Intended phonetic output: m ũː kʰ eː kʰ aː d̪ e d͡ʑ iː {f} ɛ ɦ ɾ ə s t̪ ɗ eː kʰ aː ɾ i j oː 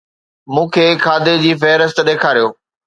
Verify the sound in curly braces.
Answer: correct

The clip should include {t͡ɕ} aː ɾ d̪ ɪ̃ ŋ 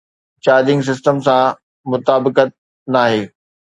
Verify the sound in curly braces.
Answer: correct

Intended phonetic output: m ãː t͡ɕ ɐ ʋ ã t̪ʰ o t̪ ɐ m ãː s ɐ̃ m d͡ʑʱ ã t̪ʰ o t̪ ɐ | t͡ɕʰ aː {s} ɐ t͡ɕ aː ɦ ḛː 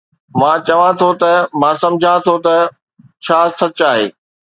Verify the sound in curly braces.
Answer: correct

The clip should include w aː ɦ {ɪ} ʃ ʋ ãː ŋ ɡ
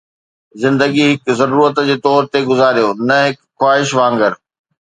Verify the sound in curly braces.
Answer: correct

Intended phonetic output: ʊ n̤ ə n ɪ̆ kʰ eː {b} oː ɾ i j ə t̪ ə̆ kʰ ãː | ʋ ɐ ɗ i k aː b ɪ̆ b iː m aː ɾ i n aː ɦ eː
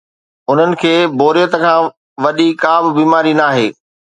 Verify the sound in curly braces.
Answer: correct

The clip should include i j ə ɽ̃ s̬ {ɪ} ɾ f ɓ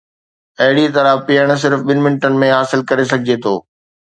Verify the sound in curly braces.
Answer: correct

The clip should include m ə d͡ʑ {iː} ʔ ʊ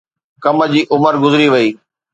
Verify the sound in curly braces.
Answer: correct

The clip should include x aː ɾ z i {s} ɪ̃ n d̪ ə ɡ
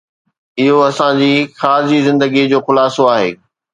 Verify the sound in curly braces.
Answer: incorrect: z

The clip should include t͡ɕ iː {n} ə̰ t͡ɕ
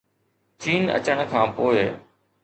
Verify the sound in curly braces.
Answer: correct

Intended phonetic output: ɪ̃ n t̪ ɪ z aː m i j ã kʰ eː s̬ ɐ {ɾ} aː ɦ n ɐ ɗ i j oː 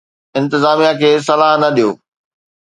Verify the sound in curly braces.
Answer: incorrect: l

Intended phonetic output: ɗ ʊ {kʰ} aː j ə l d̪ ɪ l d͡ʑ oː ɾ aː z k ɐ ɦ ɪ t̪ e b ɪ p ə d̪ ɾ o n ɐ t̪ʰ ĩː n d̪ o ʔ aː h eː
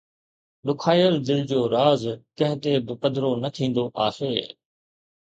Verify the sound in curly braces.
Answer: correct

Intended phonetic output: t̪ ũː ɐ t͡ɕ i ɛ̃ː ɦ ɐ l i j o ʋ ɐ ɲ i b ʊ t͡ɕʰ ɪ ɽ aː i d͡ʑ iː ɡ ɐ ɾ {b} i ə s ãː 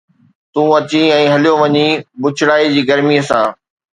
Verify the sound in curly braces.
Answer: incorrect: m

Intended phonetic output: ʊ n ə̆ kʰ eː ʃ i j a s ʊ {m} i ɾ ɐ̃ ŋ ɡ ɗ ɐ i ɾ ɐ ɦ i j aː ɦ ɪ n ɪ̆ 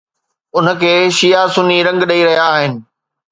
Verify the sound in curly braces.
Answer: incorrect: n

